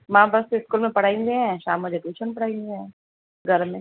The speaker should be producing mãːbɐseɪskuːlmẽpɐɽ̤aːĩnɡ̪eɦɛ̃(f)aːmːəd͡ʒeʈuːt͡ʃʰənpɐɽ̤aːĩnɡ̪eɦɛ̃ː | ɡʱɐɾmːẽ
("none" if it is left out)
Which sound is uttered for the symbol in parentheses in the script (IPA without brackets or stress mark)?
ʃ